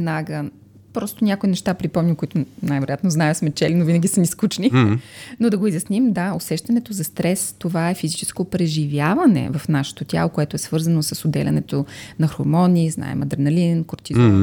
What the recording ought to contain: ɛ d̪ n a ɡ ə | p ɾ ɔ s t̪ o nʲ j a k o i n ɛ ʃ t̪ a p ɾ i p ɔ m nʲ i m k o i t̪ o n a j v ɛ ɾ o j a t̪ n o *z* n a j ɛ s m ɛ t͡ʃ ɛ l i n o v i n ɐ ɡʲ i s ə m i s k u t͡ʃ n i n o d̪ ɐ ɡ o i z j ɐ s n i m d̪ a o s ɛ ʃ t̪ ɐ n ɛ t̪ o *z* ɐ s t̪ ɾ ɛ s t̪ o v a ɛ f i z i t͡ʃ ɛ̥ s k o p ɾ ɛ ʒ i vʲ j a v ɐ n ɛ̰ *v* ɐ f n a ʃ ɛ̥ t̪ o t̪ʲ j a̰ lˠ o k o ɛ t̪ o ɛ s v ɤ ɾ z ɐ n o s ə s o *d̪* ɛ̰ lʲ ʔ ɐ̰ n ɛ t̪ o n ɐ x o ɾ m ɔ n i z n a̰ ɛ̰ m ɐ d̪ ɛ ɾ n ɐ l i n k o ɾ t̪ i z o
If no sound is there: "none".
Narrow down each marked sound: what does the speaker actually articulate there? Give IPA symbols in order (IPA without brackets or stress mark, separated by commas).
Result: z, z, v, d̪